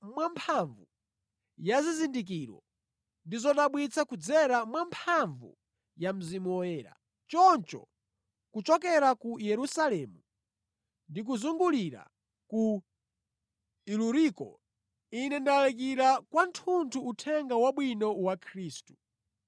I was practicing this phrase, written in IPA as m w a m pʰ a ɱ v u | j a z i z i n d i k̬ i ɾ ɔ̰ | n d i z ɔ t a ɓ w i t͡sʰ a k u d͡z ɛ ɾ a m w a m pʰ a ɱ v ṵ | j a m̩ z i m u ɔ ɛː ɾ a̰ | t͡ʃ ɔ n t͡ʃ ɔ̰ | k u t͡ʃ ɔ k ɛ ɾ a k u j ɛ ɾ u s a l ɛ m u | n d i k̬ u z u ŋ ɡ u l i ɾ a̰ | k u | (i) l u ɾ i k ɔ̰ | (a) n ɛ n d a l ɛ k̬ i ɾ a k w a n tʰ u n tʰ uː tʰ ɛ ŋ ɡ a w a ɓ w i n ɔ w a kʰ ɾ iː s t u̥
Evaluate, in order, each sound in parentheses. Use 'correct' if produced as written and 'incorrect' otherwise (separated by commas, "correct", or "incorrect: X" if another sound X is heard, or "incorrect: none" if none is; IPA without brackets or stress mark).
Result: correct, incorrect: i